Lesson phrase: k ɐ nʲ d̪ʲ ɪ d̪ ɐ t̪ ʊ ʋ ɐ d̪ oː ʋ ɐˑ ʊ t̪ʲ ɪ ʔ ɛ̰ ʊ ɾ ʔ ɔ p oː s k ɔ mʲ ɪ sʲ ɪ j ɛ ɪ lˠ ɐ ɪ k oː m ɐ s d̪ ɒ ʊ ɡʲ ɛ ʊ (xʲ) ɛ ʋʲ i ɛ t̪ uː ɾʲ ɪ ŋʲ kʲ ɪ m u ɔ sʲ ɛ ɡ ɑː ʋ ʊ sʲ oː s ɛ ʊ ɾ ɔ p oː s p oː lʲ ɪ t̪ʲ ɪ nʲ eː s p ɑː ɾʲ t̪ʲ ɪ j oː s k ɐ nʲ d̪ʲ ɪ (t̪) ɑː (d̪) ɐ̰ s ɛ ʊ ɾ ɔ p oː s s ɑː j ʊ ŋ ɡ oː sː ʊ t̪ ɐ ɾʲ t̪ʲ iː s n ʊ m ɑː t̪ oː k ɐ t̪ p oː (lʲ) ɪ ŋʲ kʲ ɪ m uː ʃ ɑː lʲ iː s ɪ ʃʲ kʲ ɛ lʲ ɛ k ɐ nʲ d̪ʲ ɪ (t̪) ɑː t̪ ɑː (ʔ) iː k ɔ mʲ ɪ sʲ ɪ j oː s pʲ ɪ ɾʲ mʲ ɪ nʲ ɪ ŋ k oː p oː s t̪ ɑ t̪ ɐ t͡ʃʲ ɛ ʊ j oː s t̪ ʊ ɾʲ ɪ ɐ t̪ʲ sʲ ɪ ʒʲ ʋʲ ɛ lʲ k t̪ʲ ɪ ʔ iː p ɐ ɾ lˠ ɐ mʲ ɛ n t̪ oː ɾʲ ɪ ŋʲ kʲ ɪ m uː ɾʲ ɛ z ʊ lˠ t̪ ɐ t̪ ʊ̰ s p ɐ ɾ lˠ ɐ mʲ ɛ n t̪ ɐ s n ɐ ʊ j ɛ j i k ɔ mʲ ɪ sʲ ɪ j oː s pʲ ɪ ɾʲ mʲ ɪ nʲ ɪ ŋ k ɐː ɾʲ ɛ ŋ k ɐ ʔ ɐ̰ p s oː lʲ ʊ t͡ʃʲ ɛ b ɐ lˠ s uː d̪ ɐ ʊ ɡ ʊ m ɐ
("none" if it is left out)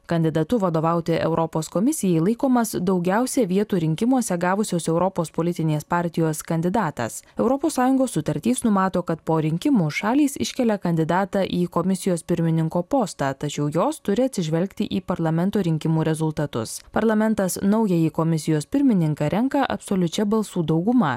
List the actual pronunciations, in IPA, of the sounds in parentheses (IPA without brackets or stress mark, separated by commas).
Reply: sʲ, d̪, t̪, ɾʲ, d̪, ʔ